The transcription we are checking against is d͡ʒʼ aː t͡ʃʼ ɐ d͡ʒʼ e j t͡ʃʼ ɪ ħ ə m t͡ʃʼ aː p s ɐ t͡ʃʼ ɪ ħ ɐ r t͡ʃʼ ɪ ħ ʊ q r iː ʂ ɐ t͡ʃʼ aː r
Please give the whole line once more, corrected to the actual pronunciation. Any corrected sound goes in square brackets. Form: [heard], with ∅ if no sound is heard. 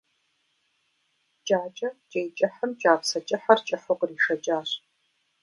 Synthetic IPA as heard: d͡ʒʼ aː t͡ʃʼ ɐ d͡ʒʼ e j t͡ʃʼ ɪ ħ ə m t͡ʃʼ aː p s ɐ t͡ʃʼ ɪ ħ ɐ r t͡ʃʼ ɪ ħ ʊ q r iː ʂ ɐ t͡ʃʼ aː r